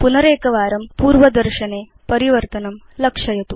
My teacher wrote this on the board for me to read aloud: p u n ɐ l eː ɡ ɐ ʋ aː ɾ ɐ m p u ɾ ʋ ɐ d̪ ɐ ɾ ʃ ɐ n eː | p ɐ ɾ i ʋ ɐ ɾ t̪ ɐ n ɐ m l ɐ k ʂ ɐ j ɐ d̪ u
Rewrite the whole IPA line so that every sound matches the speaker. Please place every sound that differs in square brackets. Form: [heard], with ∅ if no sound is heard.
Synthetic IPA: p u n ɐ [ɾ] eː [k] ɐ ʋ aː ɾ ɐ m p [uː] ɾ ʋ ɐ d̪ ɐ ɾ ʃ ɐ n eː | p ɐ ɾ i ʋ ɐ ɾ t̪ ɐ n ɐ m l ɐ k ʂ ɐ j ɐ [t̪] u

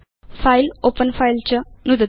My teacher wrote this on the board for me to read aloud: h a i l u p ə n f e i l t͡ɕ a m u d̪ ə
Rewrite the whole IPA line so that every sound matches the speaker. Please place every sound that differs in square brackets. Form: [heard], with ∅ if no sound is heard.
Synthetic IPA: [f] a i l [o] p ə n f [a] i l t͡ɕ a [n] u d̪ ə

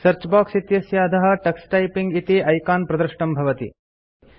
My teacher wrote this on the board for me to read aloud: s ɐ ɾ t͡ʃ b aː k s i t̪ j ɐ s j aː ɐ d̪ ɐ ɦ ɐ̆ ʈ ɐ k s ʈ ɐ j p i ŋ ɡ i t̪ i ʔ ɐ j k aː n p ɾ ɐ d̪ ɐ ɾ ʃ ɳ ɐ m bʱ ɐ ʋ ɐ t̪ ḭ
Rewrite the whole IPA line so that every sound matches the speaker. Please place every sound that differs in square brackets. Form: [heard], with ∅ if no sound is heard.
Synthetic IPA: s ɐ ɾ t͡ʃ b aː k s i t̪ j ɐ s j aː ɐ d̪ ɐ ɦ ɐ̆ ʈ ɐ k s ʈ ɐ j p i ŋ ɡ i t̪ i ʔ ɐ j k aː n p ɾ ɐ d̪ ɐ ɾ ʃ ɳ ɐ m bʱ ɐ ʋ ɐ t̪ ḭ

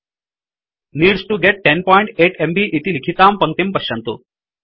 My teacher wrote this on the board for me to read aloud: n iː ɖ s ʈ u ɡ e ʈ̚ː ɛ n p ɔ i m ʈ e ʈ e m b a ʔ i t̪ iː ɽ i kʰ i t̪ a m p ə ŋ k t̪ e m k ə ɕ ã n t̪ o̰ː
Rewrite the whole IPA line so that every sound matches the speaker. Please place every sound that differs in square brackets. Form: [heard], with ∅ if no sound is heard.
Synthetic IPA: n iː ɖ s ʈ u ɡ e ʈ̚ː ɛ n p ɔ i [ɳ] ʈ e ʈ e m b [i] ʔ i t̪ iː [l] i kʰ i t̪ a m p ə ŋ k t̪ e m [p] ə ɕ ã n t̪ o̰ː

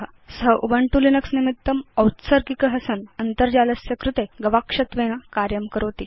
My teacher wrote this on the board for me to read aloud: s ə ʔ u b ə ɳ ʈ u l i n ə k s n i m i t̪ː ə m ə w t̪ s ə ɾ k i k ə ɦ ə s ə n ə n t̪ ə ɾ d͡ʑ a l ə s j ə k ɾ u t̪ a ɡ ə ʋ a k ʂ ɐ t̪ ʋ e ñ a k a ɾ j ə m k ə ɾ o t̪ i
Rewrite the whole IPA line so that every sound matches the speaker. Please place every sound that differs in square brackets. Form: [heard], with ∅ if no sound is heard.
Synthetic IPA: s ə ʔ u b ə ɳ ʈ u l i n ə k s n i m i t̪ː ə m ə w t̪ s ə ɾ k i k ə ɦ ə s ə n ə n t̪ ə ɾ d͡ʑ a l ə s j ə k ɾ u t̪ [e] ɡ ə ʋ a k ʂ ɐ t̪ ʋ e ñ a k a ɾ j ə m k ə ɾ o t̪ i

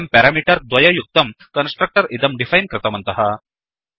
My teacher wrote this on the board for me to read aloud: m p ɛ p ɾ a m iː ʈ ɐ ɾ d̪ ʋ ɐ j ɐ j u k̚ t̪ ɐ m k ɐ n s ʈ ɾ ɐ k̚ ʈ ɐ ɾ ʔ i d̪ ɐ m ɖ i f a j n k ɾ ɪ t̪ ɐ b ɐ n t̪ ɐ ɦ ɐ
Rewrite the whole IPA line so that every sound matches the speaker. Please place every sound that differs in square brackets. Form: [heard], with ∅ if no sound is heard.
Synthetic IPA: m p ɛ [∅] ɾ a m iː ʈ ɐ ɾ d̪ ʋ ɐ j ɐ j u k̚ t̪ ɐ m k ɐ n s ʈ ɾ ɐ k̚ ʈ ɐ ɾ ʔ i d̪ ɐ m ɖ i f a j n k ɾ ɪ t̪ ɐ [m] ɐ n t̪ ɐ ɦ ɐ

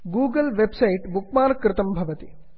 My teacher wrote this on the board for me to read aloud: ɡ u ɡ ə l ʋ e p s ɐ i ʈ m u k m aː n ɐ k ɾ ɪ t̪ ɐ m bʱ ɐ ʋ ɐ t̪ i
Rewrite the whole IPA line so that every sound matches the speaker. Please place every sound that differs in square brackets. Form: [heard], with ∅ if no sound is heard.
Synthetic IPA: ɡ [uː] ɡ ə l ʋ e [b] s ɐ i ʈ [b] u k m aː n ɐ k ɾ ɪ t̪ ɐ m bʱ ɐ ʋ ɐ t̪ i

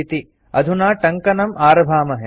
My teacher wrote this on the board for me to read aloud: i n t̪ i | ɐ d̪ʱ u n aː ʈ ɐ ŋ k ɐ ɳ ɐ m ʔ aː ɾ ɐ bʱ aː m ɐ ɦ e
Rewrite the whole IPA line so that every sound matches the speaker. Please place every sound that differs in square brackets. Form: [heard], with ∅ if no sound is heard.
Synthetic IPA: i [∅] t̪ i | ɐ d̪ʱ u n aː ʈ ɐ ŋ k ɐ [n] ɐ m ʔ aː ɾ ɐ bʱ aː m ɐ ɦ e

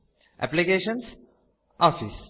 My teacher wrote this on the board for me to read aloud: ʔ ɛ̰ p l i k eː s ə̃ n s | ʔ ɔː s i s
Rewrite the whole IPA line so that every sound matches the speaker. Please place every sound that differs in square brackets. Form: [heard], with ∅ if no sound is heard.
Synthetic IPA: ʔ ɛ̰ p l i k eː [ʃ] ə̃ n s | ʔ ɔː [f] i s

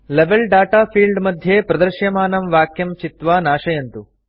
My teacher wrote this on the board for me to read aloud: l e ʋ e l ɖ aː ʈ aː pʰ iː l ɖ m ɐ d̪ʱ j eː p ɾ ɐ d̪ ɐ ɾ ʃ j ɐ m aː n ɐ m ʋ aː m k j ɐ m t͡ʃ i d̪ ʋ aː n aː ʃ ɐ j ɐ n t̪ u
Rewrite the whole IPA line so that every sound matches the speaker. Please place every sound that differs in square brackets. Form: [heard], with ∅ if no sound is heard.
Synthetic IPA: l e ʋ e l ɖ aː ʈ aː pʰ iː l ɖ m ɐ d̪ʱ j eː p ɾ ɐ d̪ ɐ ɾ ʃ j ɐ m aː n ɐ m ʋ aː [∅] k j ɐ m t͡ʃ i [t̪] ʋ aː n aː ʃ ɐ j ɐ n t̪ u

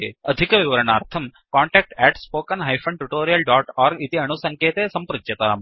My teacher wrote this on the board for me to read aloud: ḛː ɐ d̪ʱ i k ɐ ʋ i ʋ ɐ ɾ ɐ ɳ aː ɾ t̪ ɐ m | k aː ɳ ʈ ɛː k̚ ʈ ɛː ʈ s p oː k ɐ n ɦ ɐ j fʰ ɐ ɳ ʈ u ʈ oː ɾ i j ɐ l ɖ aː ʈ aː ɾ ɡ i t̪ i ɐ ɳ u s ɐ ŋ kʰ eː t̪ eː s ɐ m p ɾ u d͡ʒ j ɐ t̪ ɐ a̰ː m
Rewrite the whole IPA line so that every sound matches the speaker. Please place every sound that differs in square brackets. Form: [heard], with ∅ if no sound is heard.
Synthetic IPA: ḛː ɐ d̪ʱ i k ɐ ʋ i ʋ ɐ ɾ ɐ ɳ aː ɾ [t̪ʰ] ɐ m | k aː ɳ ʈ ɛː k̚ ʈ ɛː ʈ s p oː k ɐ n ɦ ɐ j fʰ ɐ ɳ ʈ u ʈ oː ɾ i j ɐ l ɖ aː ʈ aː ɾ ɡ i t̪ i ɐ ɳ u s ɐ ŋ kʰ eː t̪ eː s ɐ m p ɾ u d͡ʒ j ɐ t̪ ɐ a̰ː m

